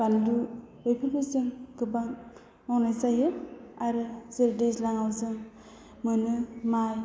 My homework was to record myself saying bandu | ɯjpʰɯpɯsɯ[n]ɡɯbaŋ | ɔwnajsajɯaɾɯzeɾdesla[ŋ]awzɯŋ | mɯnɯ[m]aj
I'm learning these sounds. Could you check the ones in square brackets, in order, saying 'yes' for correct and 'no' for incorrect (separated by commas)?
no, yes, yes